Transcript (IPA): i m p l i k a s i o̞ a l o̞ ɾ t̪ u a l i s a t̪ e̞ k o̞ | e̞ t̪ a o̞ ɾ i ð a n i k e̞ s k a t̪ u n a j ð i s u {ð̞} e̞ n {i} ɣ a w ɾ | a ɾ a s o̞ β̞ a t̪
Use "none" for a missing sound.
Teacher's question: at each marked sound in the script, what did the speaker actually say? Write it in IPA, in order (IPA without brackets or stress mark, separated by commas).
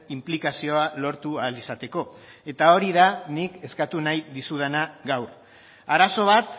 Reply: ð̞, a